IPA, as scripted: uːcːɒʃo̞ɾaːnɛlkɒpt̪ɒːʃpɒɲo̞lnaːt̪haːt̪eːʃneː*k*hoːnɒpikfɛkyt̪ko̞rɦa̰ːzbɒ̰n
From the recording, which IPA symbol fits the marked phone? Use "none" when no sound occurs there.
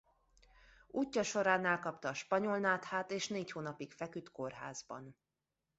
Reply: c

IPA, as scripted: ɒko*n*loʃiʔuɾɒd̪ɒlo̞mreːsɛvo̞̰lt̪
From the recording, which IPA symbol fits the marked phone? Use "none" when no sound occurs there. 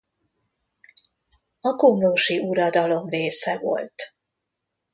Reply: m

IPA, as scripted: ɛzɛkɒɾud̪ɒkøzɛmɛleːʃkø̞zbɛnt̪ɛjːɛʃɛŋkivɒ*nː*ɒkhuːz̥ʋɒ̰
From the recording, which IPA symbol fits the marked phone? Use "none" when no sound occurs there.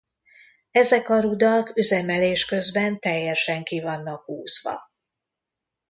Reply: nː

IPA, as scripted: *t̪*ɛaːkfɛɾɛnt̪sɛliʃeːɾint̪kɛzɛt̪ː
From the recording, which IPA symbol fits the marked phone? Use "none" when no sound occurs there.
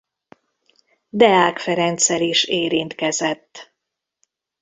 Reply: d̪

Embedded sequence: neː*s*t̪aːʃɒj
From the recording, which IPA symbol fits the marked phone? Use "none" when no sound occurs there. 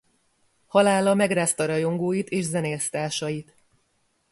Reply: s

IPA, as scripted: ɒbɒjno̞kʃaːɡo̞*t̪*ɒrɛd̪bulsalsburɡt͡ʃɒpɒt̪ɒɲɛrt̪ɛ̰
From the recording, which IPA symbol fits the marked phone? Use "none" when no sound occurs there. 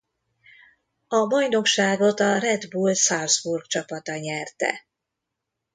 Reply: t̪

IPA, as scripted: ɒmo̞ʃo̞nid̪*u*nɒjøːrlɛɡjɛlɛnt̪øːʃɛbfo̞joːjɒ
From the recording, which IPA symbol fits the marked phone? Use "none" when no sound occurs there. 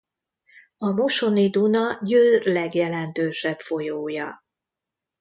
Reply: u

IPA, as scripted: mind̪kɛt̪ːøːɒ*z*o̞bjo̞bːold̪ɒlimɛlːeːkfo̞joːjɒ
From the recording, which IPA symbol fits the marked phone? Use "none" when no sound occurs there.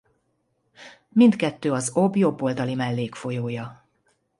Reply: z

